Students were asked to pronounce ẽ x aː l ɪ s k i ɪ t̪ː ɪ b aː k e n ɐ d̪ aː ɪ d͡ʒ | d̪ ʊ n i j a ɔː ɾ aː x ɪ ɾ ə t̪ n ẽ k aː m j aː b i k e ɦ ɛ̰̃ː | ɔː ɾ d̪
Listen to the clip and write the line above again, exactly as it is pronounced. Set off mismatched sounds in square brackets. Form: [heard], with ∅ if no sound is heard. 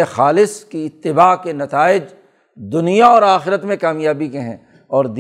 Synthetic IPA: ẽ x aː l ɪ s k i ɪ t̪ː ɪ b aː k e n ɐ [t̪] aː ɪ d͡ʒ | d̪ ʊ n i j a ɔː ɾ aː x ɪ ɾ ə t̪ [m] ẽ k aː m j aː b i k e ɦ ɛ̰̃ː | ɔː ɾ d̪